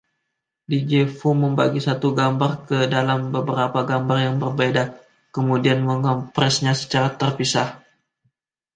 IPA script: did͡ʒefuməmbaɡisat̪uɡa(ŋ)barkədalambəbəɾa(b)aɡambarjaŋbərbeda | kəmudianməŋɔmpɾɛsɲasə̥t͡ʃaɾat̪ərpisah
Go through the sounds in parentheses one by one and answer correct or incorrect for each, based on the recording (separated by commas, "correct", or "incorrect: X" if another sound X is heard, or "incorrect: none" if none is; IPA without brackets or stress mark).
incorrect: m, incorrect: p